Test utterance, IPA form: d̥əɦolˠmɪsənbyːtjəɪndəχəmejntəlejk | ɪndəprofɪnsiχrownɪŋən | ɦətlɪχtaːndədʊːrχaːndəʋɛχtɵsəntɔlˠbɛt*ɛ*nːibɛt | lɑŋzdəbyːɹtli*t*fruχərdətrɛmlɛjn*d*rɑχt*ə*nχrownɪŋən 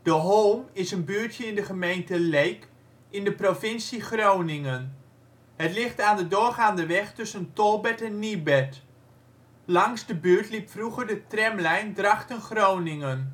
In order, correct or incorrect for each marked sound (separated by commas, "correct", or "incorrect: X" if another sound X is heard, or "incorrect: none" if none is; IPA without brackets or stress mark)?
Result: correct, incorrect: p, correct, correct